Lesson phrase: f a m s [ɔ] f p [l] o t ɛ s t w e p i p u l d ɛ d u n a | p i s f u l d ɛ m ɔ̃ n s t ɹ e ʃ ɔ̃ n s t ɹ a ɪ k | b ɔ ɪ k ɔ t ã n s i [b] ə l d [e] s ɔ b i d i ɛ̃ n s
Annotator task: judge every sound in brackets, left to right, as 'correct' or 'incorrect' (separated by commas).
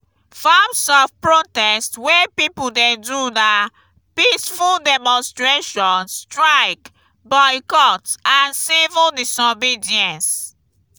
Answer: correct, incorrect, incorrect, incorrect